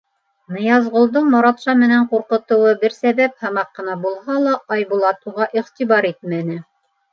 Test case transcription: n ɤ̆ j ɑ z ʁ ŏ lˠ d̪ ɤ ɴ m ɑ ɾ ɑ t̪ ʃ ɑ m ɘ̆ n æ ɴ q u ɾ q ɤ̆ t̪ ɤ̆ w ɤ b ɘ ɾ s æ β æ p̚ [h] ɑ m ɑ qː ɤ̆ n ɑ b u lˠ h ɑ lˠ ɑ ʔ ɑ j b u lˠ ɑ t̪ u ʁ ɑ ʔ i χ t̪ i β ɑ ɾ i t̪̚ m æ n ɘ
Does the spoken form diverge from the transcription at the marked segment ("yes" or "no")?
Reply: no